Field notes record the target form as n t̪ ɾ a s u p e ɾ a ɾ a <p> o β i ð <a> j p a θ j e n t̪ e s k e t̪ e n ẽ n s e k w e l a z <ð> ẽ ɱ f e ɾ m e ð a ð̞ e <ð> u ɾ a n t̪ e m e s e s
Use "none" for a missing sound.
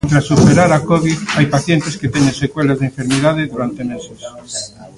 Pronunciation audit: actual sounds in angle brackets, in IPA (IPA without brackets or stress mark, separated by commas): k, a, ð, ð